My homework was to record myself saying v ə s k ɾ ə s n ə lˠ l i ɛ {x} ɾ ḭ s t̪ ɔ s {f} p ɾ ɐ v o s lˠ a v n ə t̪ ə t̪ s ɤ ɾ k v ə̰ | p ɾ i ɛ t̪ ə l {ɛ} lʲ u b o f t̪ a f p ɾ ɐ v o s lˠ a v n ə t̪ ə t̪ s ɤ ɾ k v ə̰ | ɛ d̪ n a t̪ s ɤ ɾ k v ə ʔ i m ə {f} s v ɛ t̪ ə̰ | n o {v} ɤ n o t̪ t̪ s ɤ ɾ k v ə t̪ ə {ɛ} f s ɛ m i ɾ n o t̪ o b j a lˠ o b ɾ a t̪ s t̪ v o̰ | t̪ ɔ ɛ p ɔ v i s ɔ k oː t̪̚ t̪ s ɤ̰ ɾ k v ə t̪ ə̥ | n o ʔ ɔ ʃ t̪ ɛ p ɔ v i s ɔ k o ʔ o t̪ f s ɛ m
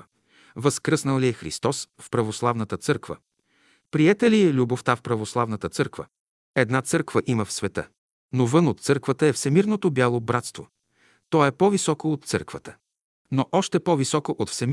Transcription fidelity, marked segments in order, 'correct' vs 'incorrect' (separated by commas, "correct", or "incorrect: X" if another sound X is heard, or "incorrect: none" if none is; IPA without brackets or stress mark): correct, correct, incorrect: i, correct, correct, correct